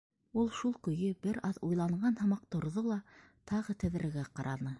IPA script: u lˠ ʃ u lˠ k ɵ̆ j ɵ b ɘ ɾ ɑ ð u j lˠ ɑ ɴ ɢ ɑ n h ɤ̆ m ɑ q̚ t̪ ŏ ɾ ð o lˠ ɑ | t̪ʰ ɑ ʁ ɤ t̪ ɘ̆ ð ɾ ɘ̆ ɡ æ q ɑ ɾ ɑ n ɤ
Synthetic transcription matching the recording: u lˠ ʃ u lˠ k ɵ̆ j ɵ b ɘ ɾ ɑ ð u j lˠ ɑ ɴ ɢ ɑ n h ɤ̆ m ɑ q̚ t̪ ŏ ɾ ð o lˠ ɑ | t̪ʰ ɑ ʁ ɤ t̪ ɘ̆ ð ɾ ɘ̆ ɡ æ q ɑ ɾ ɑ n ɤ